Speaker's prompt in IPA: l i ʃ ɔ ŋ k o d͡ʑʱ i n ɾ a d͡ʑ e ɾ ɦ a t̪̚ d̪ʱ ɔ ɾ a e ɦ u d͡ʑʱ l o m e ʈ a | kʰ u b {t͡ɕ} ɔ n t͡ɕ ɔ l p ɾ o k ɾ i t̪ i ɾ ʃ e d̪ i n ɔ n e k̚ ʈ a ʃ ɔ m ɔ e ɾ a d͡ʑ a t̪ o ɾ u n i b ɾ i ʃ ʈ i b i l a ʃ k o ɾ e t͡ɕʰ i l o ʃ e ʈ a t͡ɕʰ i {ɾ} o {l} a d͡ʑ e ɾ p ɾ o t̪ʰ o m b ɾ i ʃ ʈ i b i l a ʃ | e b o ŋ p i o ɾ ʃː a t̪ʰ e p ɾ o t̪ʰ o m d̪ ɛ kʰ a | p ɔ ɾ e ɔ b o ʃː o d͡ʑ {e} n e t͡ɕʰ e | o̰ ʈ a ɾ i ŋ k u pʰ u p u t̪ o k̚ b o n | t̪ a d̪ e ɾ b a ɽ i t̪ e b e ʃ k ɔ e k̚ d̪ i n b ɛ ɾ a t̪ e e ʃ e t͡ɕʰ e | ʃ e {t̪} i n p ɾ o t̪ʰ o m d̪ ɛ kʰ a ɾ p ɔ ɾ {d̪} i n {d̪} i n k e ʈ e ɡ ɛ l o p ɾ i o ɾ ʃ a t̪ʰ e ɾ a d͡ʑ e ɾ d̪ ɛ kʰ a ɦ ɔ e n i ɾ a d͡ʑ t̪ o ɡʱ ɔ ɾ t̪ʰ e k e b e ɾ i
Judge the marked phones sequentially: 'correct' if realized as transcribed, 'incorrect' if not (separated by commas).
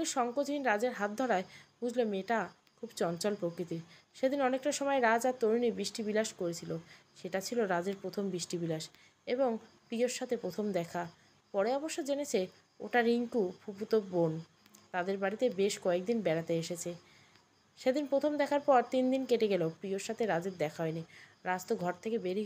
correct, incorrect, incorrect, correct, incorrect, incorrect, correct